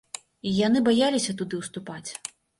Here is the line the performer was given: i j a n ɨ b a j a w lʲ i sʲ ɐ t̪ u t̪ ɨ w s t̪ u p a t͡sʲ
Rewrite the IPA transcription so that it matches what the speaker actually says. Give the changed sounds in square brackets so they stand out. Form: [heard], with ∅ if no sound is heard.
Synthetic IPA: i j a n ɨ b a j a [∅] lʲ i sʲ ɐ t̪ u [d̪] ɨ w s t̪ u p a t͡sʲ